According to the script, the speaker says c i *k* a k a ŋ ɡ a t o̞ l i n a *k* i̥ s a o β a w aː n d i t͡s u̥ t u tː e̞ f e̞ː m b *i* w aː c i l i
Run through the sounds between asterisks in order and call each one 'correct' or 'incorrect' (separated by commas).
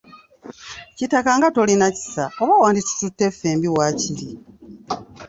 incorrect, incorrect, correct